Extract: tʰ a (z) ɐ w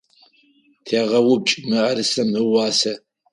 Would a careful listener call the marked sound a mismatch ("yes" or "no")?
yes